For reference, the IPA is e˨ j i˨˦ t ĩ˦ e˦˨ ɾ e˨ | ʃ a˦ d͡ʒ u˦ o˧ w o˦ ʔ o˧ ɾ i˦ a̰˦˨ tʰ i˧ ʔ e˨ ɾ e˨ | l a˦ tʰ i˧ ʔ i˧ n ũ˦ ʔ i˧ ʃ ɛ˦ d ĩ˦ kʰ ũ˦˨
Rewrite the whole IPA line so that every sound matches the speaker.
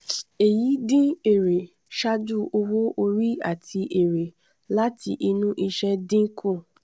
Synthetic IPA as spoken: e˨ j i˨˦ d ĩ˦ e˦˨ ɾ e˨ | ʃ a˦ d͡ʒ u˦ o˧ w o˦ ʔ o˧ ɾ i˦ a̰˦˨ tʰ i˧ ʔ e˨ ɾ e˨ | l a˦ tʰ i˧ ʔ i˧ n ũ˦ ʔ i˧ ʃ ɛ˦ d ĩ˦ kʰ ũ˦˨